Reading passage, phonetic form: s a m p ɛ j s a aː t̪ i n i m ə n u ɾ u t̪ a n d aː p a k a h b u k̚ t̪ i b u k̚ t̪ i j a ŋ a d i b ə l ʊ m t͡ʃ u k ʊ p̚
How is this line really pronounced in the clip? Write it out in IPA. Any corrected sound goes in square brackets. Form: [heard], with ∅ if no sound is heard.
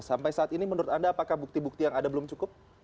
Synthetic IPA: s a m p [a] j s a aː t̪ i n i m ə n u ɾ [ʊ] t̪ a n d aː p a k a h b u k̚ t̪ i b u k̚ t̪ i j a ŋ a d [a] b ə l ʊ m t͡ʃ u k ʊ p̚

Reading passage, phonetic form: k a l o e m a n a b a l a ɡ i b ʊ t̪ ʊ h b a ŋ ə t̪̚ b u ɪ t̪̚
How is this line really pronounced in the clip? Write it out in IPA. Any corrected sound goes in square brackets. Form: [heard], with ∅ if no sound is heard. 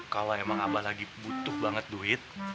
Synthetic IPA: k a l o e m a [ŋ] a b a l a ɡ i b [u] t̪ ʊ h b a ŋ ə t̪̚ [d] u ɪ t̪̚

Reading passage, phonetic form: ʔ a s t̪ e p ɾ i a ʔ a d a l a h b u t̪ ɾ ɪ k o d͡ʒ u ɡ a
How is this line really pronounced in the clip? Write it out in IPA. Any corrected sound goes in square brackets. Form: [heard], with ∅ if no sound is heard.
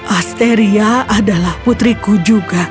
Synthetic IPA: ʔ a s t̪ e [∅] ɾ i a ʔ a d a l a h [p] u t̪ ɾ [i] k [u] d͡ʒ u ɡ a

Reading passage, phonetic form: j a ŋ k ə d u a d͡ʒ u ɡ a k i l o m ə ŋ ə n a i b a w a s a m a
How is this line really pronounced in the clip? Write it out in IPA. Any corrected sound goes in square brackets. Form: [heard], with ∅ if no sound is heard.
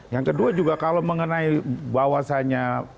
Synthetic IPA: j a ŋ k ə d u a d͡ʒ u ɡ a k [a] l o m ə ŋ ə n a i b a w a s a [ɲ] a

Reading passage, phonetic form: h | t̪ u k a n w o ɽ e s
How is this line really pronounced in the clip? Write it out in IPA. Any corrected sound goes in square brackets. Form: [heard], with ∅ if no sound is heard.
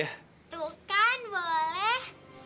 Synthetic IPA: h | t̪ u k a n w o [l] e [h]

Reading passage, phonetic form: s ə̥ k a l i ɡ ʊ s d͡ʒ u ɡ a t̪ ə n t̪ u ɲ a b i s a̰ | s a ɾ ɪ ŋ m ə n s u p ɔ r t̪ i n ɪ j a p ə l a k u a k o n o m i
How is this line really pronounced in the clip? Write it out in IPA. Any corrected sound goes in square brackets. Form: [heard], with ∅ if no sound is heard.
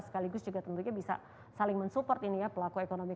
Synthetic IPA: s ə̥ k a l i ɡ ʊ s d͡ʒ u ɡ a t̪ ə n t̪ u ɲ a b i s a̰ | s a [l] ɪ ŋ m ə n s u p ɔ r t̪ i n [i] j a p ə l a k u [e] k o n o m i

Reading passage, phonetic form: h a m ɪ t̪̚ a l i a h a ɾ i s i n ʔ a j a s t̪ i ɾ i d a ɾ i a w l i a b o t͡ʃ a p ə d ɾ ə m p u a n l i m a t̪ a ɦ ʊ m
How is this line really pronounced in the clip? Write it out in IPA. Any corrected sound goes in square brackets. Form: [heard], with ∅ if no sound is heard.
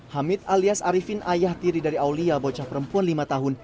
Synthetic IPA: h a m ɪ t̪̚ a l i a [s] a ɾ i [f] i n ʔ a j a [h] t̪ i ɾ i d a ɾ i a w l i a b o t͡ʃ a p ə [∅] ɾ ə m p u a n l i m a t̪ a ɦ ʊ [n]

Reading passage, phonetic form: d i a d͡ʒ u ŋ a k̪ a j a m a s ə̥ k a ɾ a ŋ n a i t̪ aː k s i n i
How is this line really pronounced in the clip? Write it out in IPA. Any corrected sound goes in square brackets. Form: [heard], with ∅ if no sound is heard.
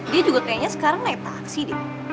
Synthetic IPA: d i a d͡ʒ u [ɡ] a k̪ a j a [ɲ] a s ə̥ k a ɾ a ŋ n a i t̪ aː k s i [d] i

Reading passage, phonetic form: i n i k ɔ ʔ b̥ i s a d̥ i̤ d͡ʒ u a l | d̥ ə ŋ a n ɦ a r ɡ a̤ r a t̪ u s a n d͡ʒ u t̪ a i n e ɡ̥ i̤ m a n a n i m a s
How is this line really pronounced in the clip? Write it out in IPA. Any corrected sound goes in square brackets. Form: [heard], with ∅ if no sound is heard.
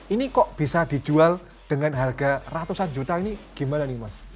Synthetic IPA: i n i k ɔ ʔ b̥ i s a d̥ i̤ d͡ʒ u a l | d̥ ə ŋ a n ɦ a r ɡ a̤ r a t̪ u s a n d͡ʒ u t̪ a i n [i] ɡ̥ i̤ m a n a n i m a s

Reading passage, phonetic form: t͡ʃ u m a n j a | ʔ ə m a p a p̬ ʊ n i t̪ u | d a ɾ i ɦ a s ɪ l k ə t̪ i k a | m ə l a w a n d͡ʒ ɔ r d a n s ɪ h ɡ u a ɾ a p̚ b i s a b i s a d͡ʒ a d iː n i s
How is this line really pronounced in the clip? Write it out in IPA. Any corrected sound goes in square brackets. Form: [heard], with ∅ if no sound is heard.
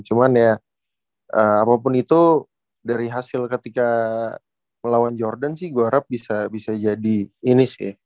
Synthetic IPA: t͡ʃ u m a n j a | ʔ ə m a p a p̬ ʊ n i t̪ u | d a ɾ i ɦ a s ɪ l k ə t̪ i k a | m ə l a w a n d͡ʒ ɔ r d a n s ɪ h ɡ u a ɾ a p̚ b i s a b i s a d͡ʒ a d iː n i s

